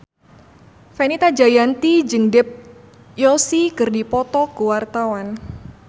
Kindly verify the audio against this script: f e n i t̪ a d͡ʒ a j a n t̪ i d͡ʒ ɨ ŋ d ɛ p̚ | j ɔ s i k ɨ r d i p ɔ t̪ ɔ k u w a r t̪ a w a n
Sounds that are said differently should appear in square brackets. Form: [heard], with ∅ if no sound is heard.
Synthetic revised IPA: f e n i t̪ a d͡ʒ a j a n t̪ i d͡ʒ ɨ ŋ d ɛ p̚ | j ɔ s i k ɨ r d i p ɔ t̪ ɔ k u w a r t̪ a w a n